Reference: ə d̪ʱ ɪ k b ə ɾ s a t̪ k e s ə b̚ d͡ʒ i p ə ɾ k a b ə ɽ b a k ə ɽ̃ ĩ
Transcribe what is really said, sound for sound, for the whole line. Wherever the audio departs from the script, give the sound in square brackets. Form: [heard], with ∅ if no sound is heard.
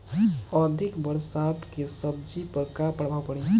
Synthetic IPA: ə d̪ʱ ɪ k b ə ɾ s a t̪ k e s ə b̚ d͡ʒ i p ə ɾ k a [p] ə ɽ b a [p] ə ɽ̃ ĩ